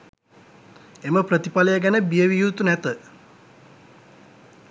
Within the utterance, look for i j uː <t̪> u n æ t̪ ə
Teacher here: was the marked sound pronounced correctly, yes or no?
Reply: yes